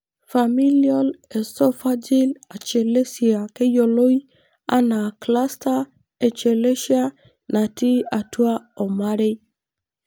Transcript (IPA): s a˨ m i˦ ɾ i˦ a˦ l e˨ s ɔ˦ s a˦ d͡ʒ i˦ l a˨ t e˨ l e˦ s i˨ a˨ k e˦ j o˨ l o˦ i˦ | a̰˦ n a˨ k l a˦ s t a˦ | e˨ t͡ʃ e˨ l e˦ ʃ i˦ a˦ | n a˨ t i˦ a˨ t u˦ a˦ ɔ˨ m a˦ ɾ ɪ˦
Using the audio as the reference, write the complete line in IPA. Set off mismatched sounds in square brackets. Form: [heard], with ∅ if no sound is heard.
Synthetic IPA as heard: [f] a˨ m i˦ [l] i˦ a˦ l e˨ s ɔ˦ [f] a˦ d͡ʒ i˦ l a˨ [t͡ʃ] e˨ l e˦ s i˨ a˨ k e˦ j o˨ l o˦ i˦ | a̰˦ n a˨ k l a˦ s t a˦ | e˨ t͡ʃ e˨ l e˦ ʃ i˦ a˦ | n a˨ t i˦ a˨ t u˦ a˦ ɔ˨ m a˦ ɾ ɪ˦